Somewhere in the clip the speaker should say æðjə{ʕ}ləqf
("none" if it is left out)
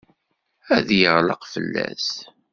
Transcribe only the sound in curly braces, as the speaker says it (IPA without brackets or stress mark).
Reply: ʁ